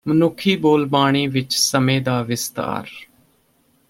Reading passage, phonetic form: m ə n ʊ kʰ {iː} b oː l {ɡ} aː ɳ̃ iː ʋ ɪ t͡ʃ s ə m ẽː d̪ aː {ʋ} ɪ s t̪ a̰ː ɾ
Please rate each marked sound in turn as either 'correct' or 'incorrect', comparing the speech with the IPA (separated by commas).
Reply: correct, incorrect, correct